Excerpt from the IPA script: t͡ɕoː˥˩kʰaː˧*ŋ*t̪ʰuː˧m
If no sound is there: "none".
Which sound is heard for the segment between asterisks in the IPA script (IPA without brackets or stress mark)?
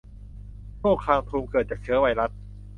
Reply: ŋ